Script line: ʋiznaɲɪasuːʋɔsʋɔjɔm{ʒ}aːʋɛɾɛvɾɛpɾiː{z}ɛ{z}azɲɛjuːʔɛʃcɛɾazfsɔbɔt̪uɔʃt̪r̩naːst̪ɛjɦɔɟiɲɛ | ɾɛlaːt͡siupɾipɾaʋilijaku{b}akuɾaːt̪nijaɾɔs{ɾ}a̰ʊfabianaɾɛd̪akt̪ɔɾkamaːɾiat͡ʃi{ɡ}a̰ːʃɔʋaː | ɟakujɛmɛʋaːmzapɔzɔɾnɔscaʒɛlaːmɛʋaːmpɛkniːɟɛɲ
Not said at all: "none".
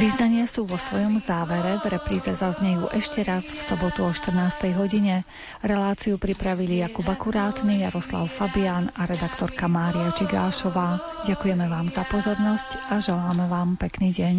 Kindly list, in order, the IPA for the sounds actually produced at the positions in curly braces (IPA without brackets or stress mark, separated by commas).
z, z, z, b, l, ɡ